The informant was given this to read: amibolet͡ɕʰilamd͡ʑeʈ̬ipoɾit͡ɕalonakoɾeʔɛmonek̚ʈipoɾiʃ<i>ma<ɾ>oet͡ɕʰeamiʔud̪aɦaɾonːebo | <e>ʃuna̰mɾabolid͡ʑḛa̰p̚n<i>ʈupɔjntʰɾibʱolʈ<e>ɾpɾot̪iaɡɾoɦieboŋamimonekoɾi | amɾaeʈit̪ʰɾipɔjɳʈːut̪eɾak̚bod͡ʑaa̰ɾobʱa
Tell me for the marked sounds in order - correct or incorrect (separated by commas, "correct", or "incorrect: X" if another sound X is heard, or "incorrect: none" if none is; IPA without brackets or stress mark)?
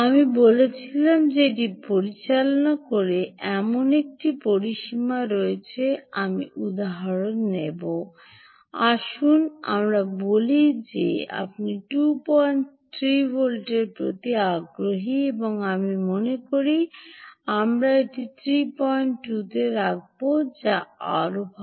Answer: correct, correct, incorrect: a, correct, correct